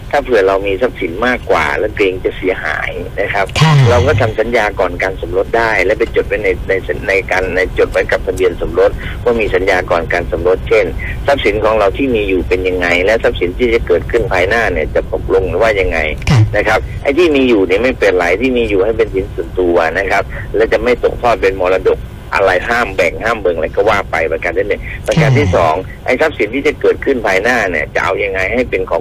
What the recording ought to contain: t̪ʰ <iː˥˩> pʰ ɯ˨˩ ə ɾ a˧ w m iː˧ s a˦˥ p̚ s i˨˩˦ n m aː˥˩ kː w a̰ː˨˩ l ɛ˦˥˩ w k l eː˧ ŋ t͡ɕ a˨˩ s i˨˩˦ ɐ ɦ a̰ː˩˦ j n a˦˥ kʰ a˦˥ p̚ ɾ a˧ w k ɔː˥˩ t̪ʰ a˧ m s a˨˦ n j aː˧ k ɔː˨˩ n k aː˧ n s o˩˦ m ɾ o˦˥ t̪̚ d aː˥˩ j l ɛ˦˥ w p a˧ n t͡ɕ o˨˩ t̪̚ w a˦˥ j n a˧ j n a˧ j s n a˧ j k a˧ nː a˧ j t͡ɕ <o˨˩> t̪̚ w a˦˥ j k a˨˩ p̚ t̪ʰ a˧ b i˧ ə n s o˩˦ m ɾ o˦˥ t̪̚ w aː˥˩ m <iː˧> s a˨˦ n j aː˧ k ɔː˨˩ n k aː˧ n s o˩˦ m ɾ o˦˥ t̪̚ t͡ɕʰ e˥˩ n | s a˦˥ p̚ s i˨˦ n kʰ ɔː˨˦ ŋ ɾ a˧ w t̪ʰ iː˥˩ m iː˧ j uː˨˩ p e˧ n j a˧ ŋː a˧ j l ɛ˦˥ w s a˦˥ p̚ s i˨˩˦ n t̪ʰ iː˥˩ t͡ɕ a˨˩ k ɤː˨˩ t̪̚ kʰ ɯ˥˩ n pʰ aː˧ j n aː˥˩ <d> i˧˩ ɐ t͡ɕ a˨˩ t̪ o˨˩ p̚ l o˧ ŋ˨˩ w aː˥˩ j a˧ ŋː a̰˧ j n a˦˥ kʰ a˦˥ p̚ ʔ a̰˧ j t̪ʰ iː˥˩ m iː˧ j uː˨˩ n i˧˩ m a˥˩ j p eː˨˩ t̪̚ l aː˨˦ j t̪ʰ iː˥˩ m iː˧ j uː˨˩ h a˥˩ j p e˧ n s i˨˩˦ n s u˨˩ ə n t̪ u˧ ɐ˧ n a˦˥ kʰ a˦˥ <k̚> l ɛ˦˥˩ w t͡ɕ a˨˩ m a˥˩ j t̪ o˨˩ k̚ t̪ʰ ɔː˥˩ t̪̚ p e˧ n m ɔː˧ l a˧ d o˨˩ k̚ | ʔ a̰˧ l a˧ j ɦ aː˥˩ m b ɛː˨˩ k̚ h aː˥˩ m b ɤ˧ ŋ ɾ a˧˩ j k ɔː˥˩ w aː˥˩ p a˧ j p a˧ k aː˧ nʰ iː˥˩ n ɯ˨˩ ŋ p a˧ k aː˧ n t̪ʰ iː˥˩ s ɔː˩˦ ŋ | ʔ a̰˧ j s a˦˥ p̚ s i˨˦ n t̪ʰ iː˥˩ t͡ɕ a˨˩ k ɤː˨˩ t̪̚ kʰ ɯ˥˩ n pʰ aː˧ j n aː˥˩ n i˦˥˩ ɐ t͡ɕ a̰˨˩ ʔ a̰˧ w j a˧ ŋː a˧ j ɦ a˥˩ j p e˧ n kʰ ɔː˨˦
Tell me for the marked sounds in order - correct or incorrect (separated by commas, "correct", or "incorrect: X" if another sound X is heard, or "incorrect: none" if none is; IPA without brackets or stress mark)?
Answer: incorrect: aː˥˩, correct, correct, incorrect: n, incorrect: p̚